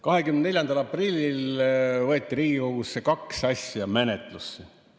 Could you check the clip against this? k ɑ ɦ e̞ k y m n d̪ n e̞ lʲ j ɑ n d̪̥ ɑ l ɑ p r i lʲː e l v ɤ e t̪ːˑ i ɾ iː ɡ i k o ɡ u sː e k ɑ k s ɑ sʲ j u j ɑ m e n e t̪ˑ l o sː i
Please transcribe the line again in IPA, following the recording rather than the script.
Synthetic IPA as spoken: k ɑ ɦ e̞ k y m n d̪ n e̞ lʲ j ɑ n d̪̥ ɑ l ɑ p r i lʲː i l v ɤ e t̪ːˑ i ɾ iː ɡ i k o ɡ u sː e k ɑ k s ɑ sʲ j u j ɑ m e n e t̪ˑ l u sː i